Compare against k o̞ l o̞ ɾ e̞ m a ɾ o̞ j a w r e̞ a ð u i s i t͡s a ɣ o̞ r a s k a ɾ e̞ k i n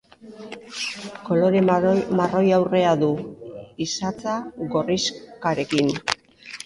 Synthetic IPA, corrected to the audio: k o̞ l o̞ ɾ e̞ m a r o̞ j a w r e̞ a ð u i s a t͡s a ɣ o̞ r i s k a ɾ e̞ k i n